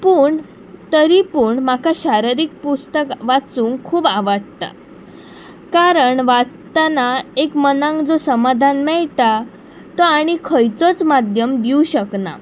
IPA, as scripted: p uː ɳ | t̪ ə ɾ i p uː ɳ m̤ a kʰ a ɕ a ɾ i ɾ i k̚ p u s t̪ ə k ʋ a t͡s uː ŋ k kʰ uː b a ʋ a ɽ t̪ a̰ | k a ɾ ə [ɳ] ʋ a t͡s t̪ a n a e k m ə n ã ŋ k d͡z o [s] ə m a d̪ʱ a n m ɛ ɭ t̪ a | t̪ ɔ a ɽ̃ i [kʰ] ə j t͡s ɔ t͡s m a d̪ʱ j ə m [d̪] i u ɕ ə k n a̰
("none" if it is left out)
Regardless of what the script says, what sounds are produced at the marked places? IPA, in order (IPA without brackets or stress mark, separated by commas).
ɳ, s, kʰ, d̪